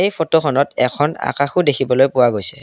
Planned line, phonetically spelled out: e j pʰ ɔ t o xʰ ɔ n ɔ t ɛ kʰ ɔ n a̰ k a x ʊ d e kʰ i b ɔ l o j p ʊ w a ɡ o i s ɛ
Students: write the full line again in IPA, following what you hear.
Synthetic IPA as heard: e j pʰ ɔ t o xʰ ɔ n ɔ t ɛ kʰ ɔ n a̰ k a x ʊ d e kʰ i b ɔ l o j p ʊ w a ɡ o j s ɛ